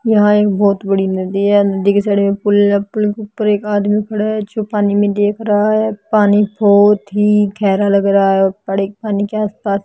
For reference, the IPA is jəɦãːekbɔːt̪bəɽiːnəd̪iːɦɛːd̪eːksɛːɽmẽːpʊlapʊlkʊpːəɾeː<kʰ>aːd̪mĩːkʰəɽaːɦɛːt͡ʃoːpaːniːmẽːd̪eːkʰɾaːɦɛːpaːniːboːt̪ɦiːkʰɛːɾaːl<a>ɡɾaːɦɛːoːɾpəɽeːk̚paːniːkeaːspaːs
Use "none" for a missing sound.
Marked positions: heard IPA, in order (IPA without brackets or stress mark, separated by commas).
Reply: k, ə